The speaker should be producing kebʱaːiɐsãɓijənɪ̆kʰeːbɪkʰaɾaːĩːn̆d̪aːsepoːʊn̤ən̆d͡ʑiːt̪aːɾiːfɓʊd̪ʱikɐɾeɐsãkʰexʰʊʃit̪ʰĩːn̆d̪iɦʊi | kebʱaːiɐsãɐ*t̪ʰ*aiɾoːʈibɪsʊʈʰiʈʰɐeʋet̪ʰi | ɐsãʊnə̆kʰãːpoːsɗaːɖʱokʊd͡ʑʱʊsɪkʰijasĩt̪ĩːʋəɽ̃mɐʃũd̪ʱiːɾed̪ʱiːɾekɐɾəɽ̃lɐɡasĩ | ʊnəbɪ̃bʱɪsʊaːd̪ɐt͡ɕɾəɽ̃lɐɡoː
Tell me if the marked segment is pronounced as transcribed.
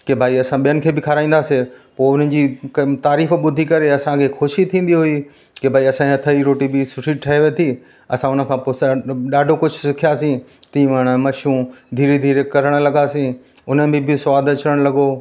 yes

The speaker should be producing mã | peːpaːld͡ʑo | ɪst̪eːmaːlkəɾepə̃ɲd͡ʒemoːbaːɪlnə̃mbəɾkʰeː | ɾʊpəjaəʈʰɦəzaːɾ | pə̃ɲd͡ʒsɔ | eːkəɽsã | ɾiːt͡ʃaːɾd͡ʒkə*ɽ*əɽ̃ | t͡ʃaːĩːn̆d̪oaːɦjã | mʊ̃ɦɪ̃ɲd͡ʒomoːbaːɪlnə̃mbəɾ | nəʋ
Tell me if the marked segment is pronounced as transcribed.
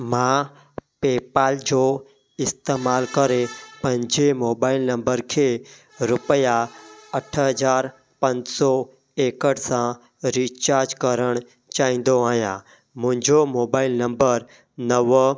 no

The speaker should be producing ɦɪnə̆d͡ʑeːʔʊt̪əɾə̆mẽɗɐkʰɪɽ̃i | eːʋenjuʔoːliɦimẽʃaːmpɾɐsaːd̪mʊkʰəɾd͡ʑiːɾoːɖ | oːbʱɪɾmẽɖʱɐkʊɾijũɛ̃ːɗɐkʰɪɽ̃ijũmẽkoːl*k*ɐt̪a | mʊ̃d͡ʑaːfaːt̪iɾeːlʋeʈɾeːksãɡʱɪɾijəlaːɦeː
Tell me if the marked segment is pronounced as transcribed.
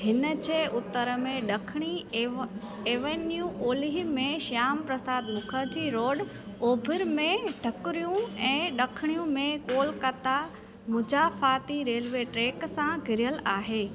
yes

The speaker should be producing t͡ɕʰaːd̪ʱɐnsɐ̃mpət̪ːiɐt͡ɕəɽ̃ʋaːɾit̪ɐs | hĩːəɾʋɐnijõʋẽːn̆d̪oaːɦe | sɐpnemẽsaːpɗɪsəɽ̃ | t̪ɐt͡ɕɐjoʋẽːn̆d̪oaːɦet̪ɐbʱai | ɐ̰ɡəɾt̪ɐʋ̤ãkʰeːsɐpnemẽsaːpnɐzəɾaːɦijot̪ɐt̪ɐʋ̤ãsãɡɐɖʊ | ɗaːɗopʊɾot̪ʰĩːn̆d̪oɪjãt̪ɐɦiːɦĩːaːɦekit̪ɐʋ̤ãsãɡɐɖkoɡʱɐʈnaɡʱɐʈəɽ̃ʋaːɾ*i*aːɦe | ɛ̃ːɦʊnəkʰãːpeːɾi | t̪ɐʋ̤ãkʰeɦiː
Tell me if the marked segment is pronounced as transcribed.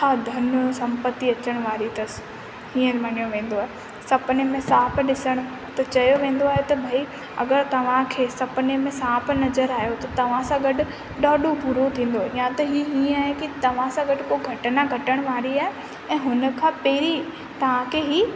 yes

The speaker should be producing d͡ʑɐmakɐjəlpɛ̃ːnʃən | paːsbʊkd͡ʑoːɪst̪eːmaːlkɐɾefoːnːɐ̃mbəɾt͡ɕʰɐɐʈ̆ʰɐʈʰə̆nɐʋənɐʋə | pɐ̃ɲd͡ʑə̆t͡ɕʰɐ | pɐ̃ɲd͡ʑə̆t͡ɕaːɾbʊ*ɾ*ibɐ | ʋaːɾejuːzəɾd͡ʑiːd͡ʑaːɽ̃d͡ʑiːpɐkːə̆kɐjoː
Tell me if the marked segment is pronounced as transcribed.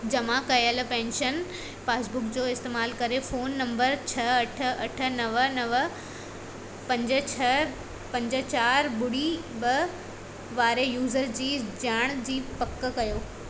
no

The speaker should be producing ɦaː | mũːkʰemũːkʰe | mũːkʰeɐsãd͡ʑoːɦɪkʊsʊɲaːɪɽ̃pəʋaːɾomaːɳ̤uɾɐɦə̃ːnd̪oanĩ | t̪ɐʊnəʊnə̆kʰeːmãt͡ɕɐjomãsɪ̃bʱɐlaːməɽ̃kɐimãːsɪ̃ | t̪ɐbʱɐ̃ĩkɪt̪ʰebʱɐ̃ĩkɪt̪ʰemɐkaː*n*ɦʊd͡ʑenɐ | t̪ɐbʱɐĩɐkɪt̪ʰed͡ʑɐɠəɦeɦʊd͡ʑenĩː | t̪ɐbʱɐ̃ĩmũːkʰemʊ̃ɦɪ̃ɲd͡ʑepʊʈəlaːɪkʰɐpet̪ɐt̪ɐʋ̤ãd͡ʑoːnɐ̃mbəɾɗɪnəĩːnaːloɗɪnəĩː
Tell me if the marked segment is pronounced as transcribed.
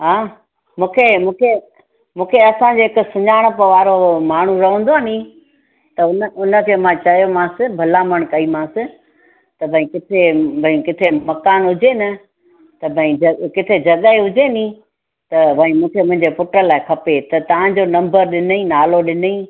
yes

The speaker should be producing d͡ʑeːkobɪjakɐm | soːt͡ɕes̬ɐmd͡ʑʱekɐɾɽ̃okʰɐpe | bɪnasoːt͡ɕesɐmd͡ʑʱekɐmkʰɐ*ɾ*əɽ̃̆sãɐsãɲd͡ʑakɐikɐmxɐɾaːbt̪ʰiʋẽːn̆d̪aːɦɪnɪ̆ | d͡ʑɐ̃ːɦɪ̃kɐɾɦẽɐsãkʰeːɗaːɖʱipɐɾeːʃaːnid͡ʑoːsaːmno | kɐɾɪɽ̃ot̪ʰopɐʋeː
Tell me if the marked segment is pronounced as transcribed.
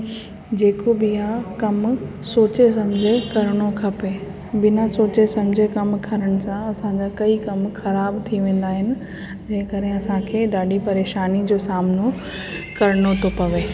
yes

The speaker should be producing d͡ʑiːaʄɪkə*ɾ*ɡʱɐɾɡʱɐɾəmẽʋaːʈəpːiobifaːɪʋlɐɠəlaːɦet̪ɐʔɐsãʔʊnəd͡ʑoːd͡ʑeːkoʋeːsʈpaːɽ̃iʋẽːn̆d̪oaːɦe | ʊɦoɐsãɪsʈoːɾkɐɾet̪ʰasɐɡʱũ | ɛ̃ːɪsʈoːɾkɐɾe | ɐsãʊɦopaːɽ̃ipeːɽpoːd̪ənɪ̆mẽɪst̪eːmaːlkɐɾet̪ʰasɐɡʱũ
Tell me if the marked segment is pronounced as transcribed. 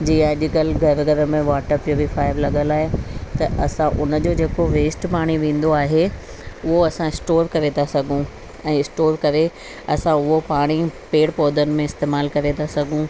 no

